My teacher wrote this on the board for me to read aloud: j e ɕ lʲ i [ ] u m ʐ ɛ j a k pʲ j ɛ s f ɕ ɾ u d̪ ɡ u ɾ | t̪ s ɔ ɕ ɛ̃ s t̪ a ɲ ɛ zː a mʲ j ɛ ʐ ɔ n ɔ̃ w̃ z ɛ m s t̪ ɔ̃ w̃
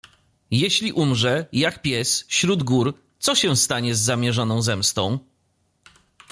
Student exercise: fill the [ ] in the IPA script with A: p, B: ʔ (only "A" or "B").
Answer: B